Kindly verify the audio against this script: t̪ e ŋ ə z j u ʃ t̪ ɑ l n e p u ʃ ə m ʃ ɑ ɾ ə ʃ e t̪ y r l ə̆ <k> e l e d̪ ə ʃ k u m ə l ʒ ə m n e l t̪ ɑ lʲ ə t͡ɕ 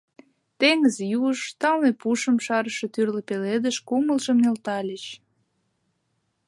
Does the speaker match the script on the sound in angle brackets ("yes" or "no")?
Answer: no